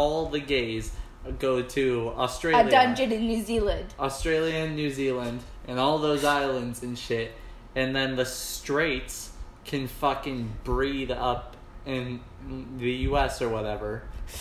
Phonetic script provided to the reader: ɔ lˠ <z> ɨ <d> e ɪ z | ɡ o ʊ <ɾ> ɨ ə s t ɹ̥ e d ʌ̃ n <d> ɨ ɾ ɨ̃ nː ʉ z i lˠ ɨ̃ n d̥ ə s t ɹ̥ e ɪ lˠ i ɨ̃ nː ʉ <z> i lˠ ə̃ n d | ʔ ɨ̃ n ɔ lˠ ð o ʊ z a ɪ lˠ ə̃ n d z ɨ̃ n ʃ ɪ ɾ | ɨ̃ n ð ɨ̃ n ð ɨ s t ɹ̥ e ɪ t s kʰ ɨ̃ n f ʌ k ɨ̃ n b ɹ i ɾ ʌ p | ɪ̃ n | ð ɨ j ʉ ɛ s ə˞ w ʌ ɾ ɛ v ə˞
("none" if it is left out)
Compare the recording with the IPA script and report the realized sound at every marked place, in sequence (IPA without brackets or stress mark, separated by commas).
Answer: ð, ɡ, ɾ, d͡ʒ, z